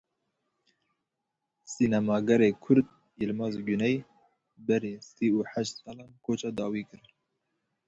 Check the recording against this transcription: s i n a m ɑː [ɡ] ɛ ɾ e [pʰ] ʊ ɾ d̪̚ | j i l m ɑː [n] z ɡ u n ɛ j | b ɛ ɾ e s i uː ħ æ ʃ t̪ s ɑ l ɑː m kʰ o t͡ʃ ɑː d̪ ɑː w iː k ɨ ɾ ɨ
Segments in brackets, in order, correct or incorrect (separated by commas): correct, incorrect, incorrect